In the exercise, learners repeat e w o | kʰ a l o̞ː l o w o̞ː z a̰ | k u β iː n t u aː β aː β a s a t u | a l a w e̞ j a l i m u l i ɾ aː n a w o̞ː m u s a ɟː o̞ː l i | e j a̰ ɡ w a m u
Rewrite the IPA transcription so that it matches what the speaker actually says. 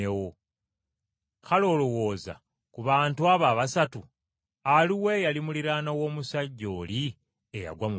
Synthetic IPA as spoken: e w o | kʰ a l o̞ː l o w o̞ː z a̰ | k u β aː n t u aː β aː β a s a t u | a l i w e̞ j a l i m u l i ɾ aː n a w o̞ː m u s a ɟː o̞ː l i | e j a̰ ɡ w a m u